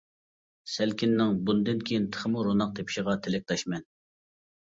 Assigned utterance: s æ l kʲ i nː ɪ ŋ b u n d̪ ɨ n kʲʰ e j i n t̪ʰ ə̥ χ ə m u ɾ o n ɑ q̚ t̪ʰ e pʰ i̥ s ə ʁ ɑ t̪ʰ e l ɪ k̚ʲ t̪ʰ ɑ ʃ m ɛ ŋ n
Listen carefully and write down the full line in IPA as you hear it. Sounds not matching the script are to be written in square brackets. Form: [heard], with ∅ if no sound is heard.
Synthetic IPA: s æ l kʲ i nː ɪ ŋ b u n d̪ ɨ n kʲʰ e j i n t̪ʰ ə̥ χ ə m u ɾ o n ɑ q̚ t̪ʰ e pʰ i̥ [ʃ] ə ʁ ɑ t̪ʰ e l ɪ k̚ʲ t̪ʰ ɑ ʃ m ɛ [∅] n